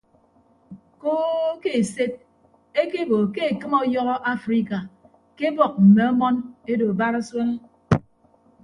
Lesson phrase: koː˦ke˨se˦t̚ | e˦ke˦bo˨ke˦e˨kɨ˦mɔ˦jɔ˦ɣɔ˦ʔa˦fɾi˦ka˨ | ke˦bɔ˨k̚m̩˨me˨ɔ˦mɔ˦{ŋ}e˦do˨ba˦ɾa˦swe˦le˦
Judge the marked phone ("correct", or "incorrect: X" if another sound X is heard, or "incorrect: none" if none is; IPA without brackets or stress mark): incorrect: n